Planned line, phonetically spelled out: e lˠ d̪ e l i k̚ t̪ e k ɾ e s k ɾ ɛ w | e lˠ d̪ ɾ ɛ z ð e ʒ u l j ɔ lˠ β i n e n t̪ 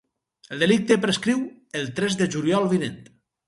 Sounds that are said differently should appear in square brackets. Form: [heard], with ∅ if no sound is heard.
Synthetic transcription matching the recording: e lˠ d̪ e l i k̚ t̪ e [p] ɾ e s k ɾ [i] w | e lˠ [t̪] ɾ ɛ z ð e ʒ u l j ɔ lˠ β i n e n t̪